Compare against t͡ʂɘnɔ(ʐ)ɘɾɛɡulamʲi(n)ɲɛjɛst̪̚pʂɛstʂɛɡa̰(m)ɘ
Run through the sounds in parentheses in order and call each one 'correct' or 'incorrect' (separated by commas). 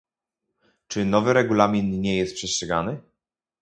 incorrect, correct, incorrect